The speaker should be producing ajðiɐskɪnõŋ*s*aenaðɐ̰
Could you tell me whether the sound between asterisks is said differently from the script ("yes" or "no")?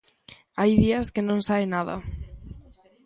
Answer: no